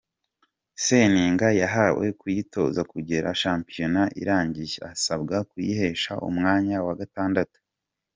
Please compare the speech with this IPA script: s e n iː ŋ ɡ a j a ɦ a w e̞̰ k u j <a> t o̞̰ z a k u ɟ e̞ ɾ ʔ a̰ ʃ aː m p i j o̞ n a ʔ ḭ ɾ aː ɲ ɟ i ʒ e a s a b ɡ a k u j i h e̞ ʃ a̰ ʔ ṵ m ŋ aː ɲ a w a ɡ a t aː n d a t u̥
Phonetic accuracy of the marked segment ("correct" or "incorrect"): incorrect